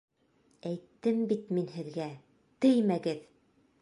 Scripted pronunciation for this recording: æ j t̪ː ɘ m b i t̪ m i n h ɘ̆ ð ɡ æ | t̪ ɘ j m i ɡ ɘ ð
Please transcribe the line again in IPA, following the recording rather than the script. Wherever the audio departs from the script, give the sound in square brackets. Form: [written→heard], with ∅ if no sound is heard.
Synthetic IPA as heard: æ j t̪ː ɘ m b i t̪ m i n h ɘ̆ ð ɡ æ | t̪ ɘ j m [i→æ] ɡ ɘ ð